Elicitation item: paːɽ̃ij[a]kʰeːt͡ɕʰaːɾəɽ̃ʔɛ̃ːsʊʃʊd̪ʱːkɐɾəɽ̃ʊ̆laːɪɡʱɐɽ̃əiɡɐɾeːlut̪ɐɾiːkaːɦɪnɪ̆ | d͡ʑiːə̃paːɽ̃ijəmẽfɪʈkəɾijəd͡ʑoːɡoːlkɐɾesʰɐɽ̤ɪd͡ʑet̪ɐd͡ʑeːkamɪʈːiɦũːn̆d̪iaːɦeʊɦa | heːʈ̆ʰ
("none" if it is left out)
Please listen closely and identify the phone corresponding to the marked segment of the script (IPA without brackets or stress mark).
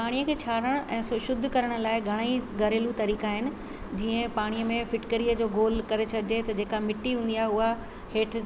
ə